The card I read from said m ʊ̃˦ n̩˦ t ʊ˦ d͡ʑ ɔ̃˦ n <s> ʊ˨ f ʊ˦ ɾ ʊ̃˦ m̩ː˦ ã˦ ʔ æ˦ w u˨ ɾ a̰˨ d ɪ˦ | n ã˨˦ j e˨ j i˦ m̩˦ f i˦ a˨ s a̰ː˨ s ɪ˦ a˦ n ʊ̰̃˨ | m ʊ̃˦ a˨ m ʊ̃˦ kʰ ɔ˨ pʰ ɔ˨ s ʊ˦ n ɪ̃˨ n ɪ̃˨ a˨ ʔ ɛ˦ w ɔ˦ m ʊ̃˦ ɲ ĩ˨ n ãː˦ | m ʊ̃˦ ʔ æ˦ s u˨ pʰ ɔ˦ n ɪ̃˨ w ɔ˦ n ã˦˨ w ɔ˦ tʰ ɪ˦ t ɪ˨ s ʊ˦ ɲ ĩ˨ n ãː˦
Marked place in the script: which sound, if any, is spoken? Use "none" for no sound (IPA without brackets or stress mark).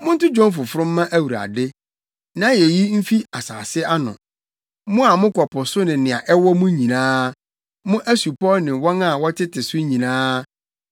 f